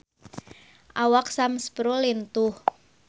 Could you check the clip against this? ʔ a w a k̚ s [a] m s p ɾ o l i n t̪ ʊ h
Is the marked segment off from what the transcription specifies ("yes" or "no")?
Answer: no